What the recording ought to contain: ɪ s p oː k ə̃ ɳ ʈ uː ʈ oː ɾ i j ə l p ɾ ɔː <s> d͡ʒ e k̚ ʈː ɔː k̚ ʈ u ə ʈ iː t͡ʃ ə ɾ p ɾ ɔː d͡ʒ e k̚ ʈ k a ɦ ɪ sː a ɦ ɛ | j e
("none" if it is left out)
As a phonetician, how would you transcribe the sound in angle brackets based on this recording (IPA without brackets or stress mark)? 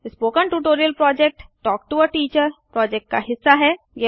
none